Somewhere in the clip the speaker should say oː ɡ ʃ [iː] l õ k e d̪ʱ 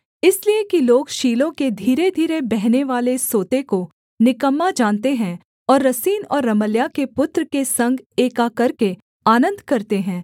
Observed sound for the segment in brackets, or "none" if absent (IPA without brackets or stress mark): iː